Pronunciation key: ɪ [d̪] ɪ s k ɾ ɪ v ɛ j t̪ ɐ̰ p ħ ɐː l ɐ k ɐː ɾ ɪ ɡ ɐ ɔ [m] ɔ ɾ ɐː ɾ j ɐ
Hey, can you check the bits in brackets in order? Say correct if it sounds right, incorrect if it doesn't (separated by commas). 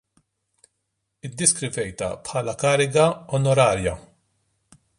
incorrect, incorrect